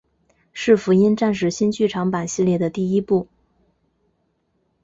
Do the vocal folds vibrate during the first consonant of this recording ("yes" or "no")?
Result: no